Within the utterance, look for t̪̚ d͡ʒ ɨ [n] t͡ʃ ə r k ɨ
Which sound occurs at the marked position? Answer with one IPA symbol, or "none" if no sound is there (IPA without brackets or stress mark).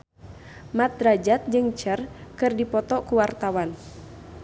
ŋ